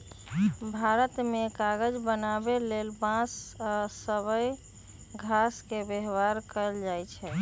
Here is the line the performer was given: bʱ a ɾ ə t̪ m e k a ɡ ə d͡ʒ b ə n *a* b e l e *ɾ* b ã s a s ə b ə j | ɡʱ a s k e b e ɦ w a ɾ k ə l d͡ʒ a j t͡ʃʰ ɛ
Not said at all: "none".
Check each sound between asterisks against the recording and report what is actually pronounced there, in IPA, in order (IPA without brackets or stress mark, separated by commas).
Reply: a, l